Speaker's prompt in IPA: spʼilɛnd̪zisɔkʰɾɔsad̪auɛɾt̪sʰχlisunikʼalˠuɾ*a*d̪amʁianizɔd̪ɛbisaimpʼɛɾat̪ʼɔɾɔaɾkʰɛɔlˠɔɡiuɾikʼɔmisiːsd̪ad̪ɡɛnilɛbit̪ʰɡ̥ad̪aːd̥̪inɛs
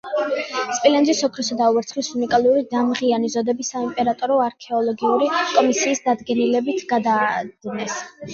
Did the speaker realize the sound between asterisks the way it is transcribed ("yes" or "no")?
no